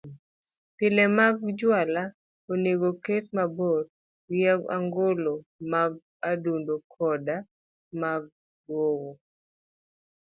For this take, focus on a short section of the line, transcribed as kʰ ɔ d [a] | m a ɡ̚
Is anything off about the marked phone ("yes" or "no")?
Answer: no